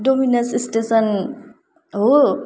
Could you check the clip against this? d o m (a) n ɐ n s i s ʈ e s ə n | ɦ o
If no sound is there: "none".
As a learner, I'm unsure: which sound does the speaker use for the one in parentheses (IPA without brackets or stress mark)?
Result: i